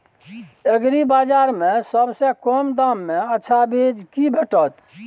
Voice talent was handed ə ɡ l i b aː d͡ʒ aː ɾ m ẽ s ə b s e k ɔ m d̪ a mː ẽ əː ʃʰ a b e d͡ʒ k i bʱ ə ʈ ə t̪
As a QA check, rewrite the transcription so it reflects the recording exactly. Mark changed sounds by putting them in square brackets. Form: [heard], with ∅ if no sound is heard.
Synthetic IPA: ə ɡ [ɾ] i b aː d͡ʒ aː ɾ m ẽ s ə b s e k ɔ m d̪ a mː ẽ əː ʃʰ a b e d͡ʒ k i bʱ ə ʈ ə t̪